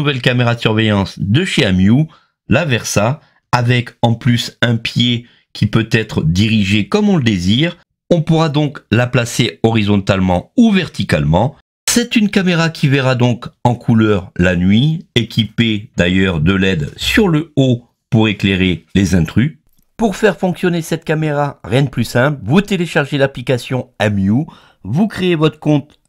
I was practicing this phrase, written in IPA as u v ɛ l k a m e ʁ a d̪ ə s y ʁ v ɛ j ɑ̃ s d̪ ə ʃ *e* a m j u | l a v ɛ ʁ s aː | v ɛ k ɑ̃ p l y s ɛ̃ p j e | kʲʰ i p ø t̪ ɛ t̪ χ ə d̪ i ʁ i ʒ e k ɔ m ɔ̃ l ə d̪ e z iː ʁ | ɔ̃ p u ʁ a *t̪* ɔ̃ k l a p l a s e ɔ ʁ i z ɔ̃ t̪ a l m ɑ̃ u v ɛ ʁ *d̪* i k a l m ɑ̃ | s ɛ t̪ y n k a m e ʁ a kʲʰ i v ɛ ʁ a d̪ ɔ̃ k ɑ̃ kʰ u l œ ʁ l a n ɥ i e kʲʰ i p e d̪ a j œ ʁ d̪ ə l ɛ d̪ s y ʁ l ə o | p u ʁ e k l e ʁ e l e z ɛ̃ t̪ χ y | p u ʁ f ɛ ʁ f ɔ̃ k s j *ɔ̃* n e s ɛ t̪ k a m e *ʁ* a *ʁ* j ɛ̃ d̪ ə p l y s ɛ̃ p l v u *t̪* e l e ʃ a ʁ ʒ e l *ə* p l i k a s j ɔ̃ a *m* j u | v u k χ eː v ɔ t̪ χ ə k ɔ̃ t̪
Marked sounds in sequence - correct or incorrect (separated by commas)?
correct, incorrect, incorrect, incorrect, correct, correct, correct, incorrect, correct